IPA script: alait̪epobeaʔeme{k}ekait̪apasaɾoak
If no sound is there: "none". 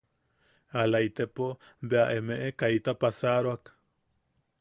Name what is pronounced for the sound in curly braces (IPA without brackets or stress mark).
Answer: ʔ